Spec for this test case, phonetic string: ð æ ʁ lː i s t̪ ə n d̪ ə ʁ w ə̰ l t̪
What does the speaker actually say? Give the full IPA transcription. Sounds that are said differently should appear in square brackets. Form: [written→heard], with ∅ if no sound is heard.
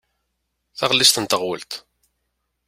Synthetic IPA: [ð→θ] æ ʁ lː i s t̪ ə n [d̪→t̪] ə ʁ w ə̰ l t̪